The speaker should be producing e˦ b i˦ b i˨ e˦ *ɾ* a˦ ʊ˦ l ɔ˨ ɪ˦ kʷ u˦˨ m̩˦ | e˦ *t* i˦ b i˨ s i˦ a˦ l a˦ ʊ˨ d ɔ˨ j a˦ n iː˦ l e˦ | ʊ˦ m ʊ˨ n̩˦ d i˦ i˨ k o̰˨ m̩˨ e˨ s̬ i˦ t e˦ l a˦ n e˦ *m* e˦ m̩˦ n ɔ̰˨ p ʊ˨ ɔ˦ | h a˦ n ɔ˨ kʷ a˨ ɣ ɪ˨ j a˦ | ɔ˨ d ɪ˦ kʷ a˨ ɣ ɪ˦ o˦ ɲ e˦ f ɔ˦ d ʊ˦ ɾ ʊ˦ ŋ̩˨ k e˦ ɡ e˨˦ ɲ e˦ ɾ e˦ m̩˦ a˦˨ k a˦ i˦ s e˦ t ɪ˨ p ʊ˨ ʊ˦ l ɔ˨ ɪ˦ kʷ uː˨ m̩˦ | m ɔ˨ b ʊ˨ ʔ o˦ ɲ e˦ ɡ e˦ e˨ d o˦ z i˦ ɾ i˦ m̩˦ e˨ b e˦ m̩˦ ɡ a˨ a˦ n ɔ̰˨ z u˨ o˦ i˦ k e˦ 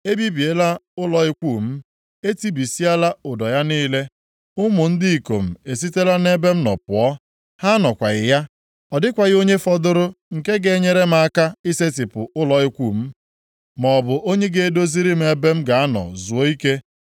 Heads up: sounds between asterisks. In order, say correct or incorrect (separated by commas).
incorrect, correct, incorrect